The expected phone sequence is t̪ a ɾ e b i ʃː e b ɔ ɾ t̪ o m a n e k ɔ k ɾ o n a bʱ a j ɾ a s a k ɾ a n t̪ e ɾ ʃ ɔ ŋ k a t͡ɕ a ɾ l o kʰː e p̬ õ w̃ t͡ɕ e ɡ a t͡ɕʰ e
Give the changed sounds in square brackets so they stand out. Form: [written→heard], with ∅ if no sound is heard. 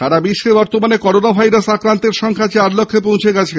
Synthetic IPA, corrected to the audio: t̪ a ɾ [e→a] b i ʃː e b ɔ ɾ t̪ o m a n e k ɔ [k→∅] ɾ o n a bʱ a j ɾ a s a k ɾ a n t̪ e ɾ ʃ ɔ ŋ [k→kʰ] a t͡ɕ a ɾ l o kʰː e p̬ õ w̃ [t͡ɕ→t͡ɕʰ] e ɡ a t͡ɕʰ e